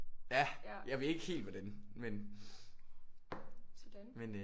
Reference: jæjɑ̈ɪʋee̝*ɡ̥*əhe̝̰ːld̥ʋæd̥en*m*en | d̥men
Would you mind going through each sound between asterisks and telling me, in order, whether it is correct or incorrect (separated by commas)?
correct, correct